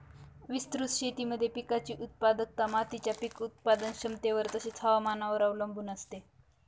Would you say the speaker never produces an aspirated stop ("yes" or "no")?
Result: no